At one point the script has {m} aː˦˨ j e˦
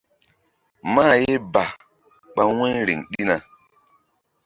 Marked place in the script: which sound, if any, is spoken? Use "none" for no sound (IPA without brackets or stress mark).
m